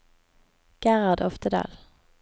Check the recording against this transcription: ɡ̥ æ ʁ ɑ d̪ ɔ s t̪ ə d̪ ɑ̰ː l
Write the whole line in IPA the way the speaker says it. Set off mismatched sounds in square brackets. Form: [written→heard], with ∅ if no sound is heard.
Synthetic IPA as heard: ɡ̥ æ ʁ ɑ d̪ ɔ [s→f] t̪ ə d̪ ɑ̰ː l

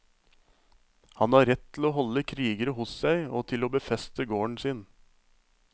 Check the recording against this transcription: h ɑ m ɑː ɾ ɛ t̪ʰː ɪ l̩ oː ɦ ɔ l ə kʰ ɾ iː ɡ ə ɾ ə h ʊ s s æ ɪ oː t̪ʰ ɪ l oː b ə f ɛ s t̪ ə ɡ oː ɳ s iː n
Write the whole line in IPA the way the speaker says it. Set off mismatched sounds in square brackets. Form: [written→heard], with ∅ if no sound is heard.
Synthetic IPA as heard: h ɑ [m→n] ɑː ɾ ɛ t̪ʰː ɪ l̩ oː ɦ ɔ l ə kʰ ɾ iː ɡ ə ɾ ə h ʊ s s æ ɪ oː t̪ʰ ɪ l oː b ə f ɛ s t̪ ə ɡ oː ɳ s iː n

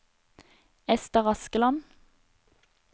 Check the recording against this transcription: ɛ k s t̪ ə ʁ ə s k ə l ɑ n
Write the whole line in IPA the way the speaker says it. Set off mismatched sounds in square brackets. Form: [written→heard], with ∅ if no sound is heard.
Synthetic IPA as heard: ɛ [k→∅] s t̪ ə ʁ [ə→ɑ] s k ə l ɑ n

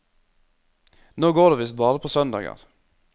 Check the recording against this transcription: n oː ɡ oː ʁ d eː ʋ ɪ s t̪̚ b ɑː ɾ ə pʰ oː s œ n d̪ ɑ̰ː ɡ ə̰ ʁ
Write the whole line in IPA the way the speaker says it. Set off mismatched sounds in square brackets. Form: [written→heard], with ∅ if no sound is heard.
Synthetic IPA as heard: n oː ɡ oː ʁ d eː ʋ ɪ s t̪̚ b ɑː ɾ ə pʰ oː s œ n d̪ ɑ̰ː ɡ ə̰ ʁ

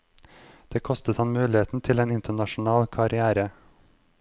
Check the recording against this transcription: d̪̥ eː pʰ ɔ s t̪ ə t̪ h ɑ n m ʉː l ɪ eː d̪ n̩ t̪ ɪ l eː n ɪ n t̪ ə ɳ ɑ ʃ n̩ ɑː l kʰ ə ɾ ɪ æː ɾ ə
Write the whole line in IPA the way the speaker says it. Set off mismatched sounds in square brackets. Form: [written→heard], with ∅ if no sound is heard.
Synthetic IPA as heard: d̪̥ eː [pʰ→kʰ] ɔ s t̪ ə t̪ h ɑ n m ʉː l ɪ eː [d̪→t̪] n̩ [t̪→t̪ʰ] ɪ l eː n ɪ n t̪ ə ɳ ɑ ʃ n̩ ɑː l kʰ [ə→ɑ] ɾ ɪ æː ɾ ə

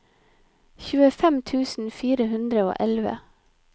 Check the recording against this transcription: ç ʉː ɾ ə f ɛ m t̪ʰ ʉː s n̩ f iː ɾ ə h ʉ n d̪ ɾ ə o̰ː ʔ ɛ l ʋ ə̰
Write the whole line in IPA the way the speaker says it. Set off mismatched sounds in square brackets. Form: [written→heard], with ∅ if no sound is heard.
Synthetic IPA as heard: ç ʉː [ɾ→∅] ə f ɛ m t̪ʰ ʉː s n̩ f iː ɾ ə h ʉ n d̪ ɾ ə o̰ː ʔ ɛ l ʋ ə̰

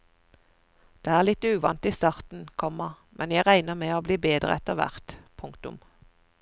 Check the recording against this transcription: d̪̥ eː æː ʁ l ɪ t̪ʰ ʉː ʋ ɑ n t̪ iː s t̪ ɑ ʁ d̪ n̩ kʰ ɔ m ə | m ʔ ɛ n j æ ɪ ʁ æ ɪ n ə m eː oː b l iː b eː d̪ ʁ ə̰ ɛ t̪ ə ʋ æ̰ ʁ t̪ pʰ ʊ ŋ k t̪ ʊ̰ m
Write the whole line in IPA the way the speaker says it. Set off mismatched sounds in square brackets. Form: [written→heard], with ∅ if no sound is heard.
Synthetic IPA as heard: d̪̥ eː æː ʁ l ɪ [t̪ʰ→t̪] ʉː ʋ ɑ n t̪ iː s t̪ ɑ ʁ [d̪→t̪] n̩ kʰ ɔ m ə | m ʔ ɛ n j æ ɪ ʁ æ ɪ n ə m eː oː b l iː b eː d̪ ʁ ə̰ ɛ t̪ ə ʋ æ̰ ʁ t̪ pʰ ʊ ŋ k t̪ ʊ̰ m

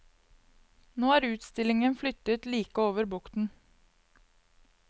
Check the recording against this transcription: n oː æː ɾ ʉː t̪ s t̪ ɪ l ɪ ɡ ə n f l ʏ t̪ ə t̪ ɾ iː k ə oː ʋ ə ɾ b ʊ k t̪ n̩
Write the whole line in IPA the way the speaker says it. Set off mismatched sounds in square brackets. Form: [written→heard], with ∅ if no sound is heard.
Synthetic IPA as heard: n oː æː ɾ ʉː t̪ s t̪ ɪ l ɪ [ɡ→ŋ] ə n f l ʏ t̪ ə t̪ [ɾ→l] iː k ə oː ʋ ə ɾ b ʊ k t̪ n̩

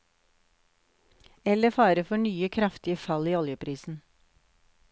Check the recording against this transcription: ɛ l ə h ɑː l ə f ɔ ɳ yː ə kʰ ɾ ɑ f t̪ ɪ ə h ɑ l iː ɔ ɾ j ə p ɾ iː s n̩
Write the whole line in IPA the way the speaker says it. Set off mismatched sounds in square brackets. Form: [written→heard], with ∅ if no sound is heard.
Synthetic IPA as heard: ɛ l ə [h→f] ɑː [l→ɾ] ə f ɔ ɳ yː ə kʰ ɾ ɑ f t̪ ɪ ə [h→f] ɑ l iː ɔ [ɾ→l] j ə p ɾ iː s n̩

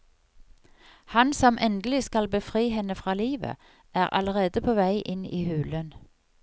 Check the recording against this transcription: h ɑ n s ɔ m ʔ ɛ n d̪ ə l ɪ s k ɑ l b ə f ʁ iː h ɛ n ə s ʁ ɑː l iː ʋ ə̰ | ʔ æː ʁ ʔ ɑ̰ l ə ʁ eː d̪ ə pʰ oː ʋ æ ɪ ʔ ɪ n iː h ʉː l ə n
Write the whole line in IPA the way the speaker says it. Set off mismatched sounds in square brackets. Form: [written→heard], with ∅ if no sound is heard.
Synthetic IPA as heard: h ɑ n s ɔ m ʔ ɛ n d̪ ə l ɪ s k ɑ l b ə f ʁ iː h ɛ n ə [s→f] ʁ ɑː l iː ʋ ə̰ | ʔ æː ʁ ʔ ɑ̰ l ə ʁ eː d̪ ə pʰ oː ʋ æ ɪ ʔ ɪ n iː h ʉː l ə n

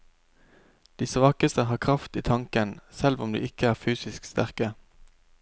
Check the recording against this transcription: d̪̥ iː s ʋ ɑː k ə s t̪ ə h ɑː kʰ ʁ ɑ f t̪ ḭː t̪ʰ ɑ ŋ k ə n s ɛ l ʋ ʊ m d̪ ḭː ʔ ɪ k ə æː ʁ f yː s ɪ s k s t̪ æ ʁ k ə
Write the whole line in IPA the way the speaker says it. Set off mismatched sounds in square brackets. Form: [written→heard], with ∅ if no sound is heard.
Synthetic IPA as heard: d̪̥ iː s ʋ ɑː k ə s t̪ ə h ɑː kʰ ʁ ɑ f t̪ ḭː t̪ʰ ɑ ŋ k ə n s ɛ l ʋ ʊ m d̪ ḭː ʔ ɪ k ə æː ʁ f yː s ɪ s k s t̪ æ ʁ k ə

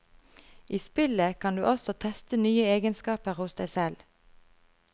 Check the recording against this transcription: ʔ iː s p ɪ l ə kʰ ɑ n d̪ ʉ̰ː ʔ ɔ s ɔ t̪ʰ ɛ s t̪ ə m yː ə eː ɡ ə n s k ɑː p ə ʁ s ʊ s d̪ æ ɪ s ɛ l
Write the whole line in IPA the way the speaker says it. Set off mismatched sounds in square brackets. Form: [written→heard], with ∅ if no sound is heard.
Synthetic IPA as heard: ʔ iː s p ɪ l ə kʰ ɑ n d̪ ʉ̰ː ʔ ɔ s ɔ t̪ʰ ɛ s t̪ ə [m→n] yː ə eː ɡ ə n s k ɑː p ə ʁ [s→h] ʊ s d̪ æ ɪ s ɛ l

